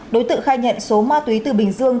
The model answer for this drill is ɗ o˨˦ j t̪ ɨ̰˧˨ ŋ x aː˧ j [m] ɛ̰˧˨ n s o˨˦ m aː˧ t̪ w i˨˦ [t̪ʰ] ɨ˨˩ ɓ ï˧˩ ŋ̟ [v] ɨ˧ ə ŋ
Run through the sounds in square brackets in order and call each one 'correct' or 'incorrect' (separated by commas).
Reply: incorrect, incorrect, incorrect